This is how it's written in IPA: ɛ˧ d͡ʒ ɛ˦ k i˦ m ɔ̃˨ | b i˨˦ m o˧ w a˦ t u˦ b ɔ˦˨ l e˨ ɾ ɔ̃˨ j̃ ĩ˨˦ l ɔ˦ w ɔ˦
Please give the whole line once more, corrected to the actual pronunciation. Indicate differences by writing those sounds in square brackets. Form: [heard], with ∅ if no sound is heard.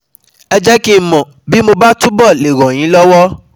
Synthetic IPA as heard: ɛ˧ d͡ʒ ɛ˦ k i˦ m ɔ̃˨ | b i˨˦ m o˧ [b] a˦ t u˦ b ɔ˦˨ l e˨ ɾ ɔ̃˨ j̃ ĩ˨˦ l ɔ˦ w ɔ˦